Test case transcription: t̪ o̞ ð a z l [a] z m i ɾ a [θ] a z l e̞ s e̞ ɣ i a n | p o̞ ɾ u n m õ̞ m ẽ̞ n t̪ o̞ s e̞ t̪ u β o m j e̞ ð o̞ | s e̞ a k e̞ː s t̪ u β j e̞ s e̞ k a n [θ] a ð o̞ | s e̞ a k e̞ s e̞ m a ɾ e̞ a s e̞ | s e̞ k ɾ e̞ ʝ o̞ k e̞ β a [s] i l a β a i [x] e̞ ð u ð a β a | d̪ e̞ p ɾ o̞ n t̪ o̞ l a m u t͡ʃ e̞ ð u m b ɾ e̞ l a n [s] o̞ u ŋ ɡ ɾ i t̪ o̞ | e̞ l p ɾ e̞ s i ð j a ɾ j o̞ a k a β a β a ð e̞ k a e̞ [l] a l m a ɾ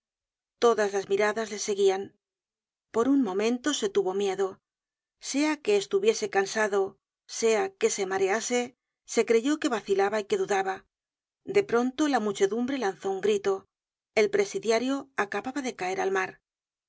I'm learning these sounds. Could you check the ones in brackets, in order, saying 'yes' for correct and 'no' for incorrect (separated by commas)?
yes, no, no, no, no, no, no